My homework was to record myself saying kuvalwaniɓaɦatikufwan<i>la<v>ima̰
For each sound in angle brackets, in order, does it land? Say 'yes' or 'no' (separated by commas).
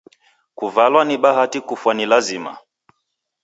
yes, no